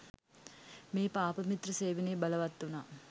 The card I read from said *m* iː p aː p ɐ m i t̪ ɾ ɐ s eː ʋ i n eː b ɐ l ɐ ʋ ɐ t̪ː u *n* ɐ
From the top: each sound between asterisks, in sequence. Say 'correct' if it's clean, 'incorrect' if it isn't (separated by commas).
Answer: correct, correct